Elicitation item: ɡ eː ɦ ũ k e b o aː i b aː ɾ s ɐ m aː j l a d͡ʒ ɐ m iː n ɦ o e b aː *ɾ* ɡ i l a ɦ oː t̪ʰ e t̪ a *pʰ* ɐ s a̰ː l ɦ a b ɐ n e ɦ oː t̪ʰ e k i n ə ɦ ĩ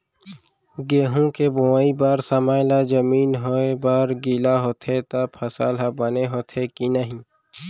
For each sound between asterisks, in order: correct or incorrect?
correct, correct

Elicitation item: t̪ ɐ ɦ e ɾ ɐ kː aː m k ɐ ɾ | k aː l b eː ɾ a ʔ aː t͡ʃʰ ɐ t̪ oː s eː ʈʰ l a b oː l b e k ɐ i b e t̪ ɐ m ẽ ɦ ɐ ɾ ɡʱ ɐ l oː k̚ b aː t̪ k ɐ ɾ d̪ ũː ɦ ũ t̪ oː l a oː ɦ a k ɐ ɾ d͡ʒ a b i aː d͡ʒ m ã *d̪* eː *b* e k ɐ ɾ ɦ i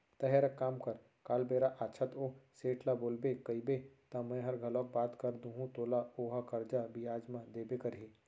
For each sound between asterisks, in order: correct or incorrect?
correct, correct

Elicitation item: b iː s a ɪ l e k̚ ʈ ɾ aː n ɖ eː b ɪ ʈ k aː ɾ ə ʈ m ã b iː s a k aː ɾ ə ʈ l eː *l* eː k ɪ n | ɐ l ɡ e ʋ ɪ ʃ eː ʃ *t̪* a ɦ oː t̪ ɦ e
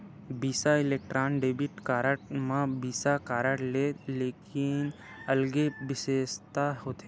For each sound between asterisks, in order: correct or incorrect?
correct, correct

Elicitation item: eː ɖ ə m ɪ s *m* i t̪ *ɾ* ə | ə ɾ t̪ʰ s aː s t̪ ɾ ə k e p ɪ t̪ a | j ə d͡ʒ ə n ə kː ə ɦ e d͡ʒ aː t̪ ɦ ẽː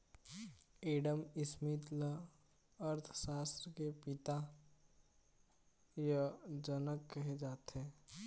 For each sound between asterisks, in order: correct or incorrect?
correct, incorrect: l

